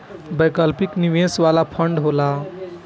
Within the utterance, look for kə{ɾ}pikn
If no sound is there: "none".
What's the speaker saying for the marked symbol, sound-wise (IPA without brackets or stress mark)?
l